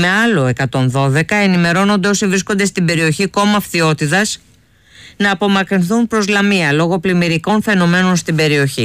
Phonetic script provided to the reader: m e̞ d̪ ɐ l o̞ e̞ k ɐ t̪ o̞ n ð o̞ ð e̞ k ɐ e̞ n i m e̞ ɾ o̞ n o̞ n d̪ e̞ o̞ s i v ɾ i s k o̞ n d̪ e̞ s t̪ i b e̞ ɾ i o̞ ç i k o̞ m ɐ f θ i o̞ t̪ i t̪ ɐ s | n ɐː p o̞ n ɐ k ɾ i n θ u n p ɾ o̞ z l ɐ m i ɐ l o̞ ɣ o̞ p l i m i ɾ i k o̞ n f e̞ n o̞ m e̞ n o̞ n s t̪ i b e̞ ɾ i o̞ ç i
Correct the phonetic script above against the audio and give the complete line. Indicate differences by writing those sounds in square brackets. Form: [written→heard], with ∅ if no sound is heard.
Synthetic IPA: m e̞ [d̪→∅] ɐ l o̞ e̞ k ɐ t̪ o̞ n ð o̞ ð e̞ k ɐ e̞ n i m e̞ ɾ o̞ n o̞ n d̪ e̞ o̞ s i v ɾ i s k o̞ n d̪ e̞ s t̪ i b e̞ ɾ i o̞ ç i k o̞ m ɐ f θ i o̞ t̪ i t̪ ɐ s | n ɐː p o̞ [n→m] ɐ k ɾ i n θ u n p ɾ o̞ z l ɐ m i ɐ l o̞ ɣ o̞ p l i m i ɾ i k o̞ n f e̞ n o̞ m e̞ n o̞ n s t̪ i b e̞ ɾ i o̞ ç i